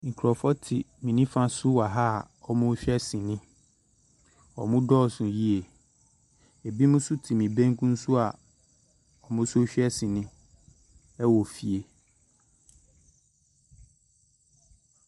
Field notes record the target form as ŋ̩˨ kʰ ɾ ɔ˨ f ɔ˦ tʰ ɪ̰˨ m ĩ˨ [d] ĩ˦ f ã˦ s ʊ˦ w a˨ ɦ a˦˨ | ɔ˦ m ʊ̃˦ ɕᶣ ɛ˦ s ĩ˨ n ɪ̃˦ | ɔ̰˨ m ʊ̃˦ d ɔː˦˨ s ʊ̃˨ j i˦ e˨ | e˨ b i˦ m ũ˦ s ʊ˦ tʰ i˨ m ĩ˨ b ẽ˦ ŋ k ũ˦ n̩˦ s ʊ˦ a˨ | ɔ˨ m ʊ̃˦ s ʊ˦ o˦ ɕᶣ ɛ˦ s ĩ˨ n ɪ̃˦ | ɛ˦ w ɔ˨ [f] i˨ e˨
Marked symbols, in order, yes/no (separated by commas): no, yes